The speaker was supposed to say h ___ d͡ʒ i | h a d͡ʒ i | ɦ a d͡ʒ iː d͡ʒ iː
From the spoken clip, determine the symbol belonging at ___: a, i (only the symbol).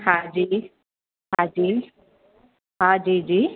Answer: a